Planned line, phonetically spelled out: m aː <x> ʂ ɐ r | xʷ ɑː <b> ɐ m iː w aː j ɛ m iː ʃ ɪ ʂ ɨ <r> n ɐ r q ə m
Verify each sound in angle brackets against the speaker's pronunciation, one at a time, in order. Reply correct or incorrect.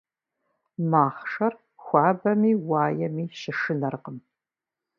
incorrect, correct, incorrect

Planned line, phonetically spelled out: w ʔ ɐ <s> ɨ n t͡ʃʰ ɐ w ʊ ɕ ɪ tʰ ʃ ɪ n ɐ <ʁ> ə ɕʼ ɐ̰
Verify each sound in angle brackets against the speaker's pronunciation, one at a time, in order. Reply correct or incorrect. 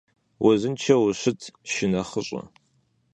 incorrect, incorrect

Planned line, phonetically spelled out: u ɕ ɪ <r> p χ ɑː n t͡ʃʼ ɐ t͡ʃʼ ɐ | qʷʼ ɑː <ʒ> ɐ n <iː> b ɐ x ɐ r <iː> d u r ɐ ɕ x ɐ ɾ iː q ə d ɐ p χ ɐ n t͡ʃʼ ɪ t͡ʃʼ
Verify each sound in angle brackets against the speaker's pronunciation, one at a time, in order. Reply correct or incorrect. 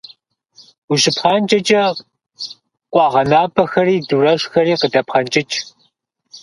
incorrect, incorrect, incorrect, correct

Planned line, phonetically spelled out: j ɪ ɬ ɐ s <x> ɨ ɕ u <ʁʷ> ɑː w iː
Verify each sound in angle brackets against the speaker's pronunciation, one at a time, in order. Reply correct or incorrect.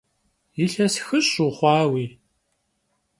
correct, incorrect

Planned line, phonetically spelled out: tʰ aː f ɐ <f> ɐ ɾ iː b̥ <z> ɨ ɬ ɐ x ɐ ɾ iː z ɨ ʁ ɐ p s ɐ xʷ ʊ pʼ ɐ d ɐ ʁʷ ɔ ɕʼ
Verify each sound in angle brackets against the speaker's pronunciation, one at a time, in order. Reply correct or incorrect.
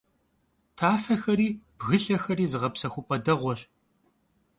incorrect, incorrect

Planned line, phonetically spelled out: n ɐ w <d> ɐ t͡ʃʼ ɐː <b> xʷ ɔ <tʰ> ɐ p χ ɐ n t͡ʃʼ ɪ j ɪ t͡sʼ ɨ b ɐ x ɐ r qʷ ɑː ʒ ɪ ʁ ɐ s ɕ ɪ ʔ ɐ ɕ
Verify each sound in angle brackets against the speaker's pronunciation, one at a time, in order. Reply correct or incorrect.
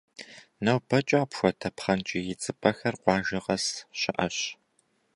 incorrect, incorrect, correct

